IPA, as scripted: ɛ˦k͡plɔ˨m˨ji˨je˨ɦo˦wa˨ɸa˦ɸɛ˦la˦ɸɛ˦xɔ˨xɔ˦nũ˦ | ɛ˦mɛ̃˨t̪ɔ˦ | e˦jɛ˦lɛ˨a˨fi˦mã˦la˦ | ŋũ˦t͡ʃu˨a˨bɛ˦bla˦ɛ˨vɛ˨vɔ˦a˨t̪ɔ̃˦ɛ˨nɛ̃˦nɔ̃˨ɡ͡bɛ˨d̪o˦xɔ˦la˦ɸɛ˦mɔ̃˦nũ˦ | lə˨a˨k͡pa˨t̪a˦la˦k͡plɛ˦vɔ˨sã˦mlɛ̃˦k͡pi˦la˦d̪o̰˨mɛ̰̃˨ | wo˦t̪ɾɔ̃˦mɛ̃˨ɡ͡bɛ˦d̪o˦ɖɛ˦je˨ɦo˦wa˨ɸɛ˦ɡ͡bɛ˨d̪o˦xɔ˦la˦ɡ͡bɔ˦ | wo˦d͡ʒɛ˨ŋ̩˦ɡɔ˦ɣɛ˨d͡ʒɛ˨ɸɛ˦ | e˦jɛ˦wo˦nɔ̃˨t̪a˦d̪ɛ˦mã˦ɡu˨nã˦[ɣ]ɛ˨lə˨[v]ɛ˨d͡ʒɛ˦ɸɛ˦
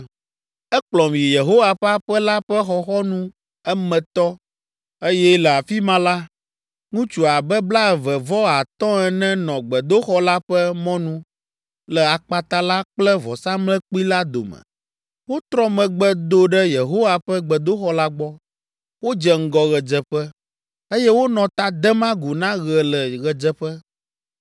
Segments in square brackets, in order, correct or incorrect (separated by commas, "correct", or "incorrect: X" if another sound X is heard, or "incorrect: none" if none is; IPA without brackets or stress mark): correct, incorrect: ɣ